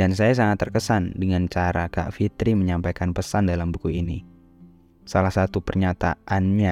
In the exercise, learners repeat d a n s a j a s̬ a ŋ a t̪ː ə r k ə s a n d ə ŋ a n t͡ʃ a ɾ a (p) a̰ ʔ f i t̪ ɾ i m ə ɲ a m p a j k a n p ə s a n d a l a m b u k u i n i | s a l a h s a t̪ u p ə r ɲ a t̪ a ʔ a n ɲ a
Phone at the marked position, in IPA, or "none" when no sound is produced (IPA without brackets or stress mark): k